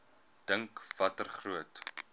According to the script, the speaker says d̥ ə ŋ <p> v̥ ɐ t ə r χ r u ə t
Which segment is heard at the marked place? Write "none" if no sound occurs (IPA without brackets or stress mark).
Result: k